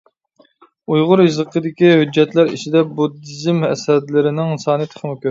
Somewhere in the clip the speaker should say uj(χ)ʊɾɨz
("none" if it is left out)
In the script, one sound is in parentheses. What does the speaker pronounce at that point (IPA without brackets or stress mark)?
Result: ʁ